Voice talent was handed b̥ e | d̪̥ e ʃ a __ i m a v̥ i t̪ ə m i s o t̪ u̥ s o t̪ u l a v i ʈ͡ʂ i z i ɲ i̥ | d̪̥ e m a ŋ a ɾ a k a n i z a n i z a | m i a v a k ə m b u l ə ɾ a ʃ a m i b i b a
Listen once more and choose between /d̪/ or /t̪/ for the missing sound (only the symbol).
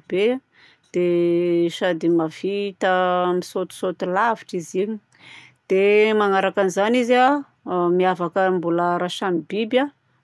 d̪